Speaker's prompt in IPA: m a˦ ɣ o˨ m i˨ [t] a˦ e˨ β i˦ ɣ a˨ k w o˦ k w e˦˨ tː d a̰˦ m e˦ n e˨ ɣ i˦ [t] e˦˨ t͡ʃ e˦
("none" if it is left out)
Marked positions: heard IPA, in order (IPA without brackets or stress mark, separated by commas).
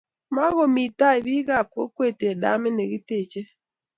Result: t, t